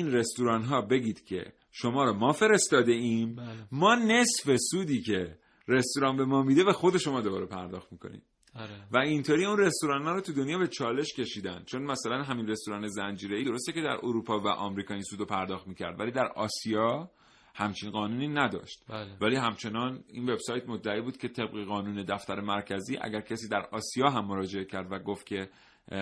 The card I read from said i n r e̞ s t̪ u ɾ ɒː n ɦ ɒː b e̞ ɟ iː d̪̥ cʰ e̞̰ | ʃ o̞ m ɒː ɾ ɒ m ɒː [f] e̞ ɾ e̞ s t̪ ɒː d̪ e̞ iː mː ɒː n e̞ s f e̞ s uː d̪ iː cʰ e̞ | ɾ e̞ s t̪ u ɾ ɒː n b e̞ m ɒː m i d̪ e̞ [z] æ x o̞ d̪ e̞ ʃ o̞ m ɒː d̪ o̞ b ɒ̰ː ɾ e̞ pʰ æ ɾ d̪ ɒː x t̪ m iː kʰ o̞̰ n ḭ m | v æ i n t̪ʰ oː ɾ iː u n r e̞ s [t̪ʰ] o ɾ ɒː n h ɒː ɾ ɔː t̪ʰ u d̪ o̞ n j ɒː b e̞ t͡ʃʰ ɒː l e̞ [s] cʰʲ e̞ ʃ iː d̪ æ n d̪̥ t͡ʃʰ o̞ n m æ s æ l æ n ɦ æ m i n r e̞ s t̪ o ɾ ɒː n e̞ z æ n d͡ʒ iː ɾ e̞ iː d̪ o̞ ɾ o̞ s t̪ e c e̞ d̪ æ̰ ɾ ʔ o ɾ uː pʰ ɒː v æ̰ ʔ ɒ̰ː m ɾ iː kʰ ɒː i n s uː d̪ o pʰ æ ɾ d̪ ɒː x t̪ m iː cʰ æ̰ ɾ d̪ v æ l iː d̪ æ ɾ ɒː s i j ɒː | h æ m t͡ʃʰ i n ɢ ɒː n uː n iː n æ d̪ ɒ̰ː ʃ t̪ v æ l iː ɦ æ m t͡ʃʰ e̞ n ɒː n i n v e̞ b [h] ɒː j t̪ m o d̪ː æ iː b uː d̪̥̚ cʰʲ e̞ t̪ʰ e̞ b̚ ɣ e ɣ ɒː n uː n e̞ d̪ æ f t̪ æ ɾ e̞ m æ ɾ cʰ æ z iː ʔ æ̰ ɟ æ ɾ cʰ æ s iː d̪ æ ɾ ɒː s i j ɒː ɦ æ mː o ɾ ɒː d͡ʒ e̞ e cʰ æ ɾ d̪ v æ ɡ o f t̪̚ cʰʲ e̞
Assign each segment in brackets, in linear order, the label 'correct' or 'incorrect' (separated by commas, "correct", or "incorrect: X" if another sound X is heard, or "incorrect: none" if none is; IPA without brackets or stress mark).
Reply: correct, incorrect: v, incorrect: t̪, incorrect: ʃ, incorrect: s